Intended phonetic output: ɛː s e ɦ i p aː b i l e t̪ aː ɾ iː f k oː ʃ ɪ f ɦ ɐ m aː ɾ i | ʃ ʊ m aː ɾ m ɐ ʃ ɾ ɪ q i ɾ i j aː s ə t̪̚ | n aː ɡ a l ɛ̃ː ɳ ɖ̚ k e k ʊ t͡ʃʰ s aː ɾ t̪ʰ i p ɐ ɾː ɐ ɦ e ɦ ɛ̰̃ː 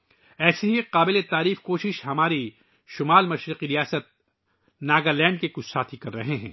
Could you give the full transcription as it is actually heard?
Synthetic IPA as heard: ɛː s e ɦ i q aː b ɪ l e t̪ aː ɾ iː f k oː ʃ ɪ ʃ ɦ ɐ m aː ɾ i | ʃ ʊ m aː l m ɐ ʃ ɾ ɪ q i ɾ i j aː s ə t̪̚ | n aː ɡ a l ɛ̃ː ɳ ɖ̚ k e k ʊ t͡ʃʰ s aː t̪ʰ i k ɐ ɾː ɐ ɦ e ɦ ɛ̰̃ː